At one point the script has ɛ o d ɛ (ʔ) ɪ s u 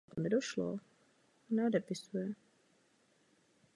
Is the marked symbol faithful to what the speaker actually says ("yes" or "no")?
no